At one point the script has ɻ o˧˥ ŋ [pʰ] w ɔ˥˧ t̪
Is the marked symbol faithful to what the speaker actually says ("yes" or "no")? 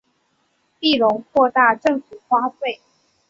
no